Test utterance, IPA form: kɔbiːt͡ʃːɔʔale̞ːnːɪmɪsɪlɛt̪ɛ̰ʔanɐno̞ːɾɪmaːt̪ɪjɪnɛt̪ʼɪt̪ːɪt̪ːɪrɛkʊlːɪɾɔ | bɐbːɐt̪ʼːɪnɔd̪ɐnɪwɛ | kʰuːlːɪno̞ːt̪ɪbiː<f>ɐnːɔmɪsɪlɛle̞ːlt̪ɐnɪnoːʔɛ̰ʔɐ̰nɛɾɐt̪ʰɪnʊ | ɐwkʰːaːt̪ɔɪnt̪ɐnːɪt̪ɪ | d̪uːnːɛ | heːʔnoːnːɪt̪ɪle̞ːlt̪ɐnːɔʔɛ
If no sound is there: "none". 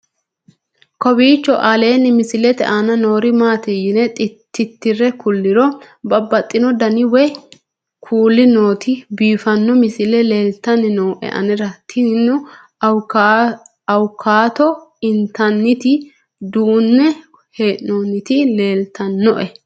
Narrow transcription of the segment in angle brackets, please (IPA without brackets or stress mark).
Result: f